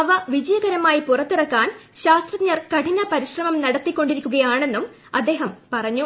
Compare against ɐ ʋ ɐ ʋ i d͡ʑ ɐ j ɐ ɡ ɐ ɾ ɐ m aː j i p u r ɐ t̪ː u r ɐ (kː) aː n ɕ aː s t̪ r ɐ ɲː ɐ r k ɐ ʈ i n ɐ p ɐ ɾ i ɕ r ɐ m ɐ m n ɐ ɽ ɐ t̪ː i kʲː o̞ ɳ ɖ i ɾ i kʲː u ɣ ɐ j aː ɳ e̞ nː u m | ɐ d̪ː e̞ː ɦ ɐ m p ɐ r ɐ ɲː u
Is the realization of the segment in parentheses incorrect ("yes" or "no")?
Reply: no